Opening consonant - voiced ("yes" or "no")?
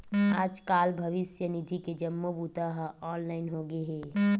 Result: yes